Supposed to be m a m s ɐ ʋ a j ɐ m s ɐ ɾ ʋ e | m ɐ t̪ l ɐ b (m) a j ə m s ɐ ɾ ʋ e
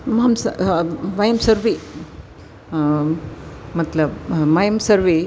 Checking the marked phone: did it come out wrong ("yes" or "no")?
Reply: no